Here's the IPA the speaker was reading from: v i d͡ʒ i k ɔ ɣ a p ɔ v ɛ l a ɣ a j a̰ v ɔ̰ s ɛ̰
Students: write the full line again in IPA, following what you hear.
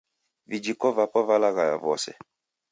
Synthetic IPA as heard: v i d͡ʒ i k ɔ v a p ɔ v a l a ɣ a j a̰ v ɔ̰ s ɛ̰